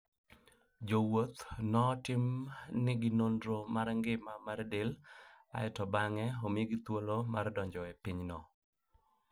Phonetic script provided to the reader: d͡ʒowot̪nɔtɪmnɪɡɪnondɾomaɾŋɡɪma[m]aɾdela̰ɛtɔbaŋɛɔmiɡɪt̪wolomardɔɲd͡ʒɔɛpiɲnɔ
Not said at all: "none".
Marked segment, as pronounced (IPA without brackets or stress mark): m